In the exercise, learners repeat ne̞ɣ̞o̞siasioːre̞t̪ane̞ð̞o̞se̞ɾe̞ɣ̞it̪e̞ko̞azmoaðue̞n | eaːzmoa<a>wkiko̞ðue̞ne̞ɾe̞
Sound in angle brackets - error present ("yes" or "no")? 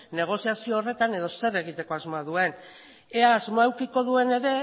yes